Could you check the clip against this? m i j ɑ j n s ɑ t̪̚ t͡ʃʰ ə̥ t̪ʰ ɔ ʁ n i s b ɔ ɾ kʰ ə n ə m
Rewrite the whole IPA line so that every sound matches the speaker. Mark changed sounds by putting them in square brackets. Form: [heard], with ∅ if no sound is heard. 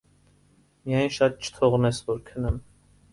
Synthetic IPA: m i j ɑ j n [ʃ] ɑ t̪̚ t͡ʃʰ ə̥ t̪ʰ ɔ ʁ n [ɛ] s [v] ɔ ɾ kʰ ə n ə m

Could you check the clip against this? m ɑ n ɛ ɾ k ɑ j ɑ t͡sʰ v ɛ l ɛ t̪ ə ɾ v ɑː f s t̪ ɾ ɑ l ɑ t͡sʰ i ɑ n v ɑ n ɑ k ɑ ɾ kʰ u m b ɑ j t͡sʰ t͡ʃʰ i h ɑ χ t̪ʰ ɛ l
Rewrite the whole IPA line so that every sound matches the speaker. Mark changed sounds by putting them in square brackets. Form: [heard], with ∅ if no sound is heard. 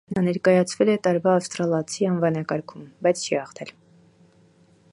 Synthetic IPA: [n] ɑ n ɛ ɾ k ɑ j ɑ t͡sʰ v ɛ l ɛ t̪ [ɑ] ɾ v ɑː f s t̪ ɾ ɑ l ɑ t͡sʰ i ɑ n v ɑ n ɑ k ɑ ɾ kʰ u m b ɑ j t͡sʰ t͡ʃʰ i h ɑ χ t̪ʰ ɛ l

